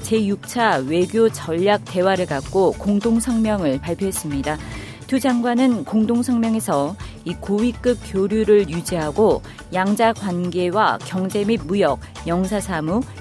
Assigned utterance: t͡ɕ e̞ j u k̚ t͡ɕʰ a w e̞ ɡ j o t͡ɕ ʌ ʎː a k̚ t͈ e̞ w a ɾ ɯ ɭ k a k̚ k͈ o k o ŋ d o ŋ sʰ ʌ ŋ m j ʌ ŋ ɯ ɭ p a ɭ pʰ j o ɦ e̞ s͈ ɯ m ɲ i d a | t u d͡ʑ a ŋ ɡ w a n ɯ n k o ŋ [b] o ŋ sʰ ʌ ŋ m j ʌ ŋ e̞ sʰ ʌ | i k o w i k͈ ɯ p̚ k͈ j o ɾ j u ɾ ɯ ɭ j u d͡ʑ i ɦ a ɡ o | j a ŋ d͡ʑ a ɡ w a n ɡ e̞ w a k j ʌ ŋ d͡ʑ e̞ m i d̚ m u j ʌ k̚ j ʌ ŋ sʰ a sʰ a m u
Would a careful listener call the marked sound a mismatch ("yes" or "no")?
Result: yes